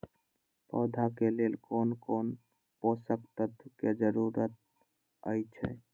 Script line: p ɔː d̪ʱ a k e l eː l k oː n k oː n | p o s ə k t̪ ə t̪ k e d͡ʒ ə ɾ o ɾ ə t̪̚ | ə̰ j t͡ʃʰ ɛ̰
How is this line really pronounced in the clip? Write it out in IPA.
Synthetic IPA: p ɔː d̪ʱ a k e l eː l k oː n k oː n | p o s ə k t̪ ə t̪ k e d͡ʒ ə ɾ u ɾ ə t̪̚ | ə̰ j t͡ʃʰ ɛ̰